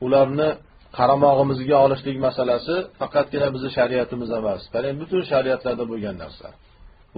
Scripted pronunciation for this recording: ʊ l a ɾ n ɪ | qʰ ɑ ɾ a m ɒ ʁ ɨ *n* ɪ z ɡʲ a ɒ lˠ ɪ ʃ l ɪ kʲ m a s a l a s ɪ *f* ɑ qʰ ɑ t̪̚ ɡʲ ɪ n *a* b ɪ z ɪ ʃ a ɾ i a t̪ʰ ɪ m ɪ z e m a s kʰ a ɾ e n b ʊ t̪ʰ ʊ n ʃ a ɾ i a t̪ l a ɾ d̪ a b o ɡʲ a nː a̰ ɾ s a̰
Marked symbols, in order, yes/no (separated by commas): no, yes, yes